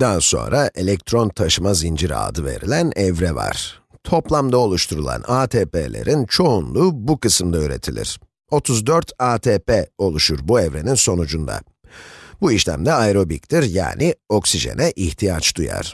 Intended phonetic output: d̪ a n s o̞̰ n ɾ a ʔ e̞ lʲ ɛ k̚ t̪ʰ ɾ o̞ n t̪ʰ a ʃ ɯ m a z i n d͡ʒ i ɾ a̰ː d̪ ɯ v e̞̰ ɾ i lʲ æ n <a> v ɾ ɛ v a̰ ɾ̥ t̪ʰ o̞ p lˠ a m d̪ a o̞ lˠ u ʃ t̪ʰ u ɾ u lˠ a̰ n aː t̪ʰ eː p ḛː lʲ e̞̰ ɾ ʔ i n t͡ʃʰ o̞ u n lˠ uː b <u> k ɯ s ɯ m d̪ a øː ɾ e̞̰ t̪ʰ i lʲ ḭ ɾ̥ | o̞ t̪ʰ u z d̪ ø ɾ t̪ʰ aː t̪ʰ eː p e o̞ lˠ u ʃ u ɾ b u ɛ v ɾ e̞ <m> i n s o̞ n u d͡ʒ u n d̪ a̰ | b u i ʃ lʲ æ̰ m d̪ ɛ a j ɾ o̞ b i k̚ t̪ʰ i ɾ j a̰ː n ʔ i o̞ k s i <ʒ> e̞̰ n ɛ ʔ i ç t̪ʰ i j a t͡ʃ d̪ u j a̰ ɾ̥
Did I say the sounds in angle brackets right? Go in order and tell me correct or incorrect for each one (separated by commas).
incorrect, correct, incorrect, correct